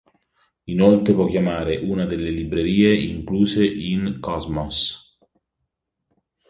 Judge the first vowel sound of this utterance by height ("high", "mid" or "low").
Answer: high